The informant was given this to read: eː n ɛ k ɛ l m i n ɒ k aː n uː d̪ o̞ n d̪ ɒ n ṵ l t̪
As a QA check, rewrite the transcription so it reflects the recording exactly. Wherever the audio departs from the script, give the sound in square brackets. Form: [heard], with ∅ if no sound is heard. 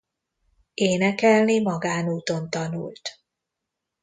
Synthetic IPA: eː n ɛ k ɛ l [n] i [m] ɒ [ɡ] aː n uː [t̪] o̞ n [t̪] ɒ n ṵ l t̪